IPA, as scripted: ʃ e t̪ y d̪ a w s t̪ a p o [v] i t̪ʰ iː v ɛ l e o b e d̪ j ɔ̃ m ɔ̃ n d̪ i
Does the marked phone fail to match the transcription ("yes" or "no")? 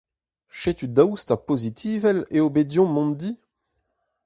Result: yes